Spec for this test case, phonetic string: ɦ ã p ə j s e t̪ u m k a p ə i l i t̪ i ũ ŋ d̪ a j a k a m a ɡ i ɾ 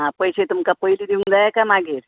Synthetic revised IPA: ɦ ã p ə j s e t̪ u m k a p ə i l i d̪ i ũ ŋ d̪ a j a k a m a ɡ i ɾ